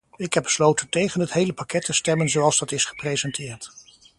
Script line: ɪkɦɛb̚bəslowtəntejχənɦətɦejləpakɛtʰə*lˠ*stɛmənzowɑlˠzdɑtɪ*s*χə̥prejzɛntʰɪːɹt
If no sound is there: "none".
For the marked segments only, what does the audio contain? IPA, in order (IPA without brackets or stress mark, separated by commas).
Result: none, s